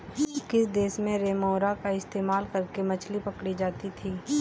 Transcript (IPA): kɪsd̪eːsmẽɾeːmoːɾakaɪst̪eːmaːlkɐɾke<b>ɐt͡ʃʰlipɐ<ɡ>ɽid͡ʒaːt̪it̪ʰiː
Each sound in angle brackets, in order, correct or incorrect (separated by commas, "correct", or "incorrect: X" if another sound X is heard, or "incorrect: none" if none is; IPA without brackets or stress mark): incorrect: m, incorrect: k